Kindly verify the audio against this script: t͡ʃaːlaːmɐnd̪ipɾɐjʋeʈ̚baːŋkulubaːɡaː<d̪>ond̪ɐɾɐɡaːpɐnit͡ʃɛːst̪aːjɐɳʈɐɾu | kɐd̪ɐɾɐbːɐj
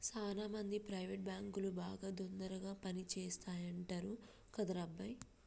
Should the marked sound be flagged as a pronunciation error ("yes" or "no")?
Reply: no